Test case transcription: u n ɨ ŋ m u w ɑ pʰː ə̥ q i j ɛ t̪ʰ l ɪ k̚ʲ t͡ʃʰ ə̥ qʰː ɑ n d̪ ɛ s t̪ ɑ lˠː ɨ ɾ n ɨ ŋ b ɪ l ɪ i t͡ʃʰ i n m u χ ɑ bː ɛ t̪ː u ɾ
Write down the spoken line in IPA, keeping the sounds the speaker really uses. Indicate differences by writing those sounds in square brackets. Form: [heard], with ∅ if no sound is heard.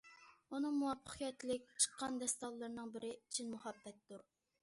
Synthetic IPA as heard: u n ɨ ŋ m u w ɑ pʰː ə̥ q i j ɛ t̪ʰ l ɪ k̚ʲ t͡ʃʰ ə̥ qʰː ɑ n d̪ ɛ s t̪ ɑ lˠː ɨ ɾ n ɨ ŋ b ɪ [ɾ] ɪ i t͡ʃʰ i n m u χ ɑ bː ɛ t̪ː u ɾ